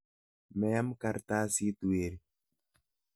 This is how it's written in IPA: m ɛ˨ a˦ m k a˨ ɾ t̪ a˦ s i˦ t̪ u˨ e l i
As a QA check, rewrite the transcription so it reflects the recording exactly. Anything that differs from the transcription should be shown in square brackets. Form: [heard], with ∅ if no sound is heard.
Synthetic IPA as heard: m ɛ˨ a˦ m k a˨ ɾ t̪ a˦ s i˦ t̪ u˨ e [ɾ] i